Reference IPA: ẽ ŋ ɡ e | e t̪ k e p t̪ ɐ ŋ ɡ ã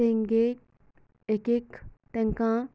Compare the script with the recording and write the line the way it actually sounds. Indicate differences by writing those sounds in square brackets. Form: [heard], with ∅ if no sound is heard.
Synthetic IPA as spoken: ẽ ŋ ɡ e | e [∅] k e [k] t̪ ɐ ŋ [k] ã